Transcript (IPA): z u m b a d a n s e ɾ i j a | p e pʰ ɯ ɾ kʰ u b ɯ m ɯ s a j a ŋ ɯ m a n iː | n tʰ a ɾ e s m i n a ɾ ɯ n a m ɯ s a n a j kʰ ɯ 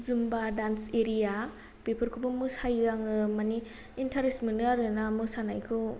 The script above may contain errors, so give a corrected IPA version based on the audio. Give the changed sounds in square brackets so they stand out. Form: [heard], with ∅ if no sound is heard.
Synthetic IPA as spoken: z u m b a d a n s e ɾ i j a | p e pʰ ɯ ɾ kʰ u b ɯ m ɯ s a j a ŋ ɯ m a n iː | n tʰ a ɾ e s m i n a ɾ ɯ n a m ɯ s a n a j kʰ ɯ